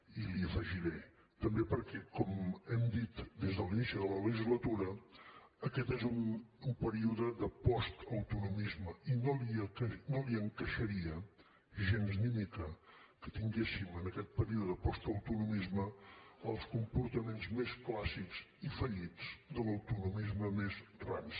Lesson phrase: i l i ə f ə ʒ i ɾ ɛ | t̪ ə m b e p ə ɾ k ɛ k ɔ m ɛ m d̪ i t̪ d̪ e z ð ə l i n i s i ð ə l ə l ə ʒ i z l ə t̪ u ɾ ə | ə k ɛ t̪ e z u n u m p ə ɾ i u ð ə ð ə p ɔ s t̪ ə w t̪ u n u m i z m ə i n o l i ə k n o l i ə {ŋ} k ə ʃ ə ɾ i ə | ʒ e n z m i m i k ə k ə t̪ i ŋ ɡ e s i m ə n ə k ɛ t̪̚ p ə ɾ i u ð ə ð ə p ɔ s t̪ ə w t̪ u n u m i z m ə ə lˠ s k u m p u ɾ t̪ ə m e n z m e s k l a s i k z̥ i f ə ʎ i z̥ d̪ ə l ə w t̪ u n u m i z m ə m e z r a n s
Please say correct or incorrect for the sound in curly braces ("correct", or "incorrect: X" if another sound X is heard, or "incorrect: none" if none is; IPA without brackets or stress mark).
correct